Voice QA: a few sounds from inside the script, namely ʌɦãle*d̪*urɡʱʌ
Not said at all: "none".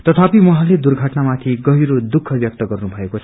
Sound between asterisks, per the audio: d̪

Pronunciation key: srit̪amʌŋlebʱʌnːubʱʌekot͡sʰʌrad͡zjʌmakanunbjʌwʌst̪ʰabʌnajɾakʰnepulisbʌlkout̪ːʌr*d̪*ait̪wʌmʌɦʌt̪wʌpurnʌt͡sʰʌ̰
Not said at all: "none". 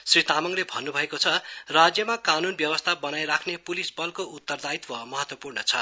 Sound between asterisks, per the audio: d̪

